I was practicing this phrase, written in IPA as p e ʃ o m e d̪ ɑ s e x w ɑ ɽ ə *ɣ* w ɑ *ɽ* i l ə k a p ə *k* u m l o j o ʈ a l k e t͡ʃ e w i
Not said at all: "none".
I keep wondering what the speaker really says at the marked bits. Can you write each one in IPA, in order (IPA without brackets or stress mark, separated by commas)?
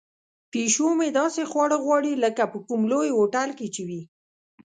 ɣ, ɽ, k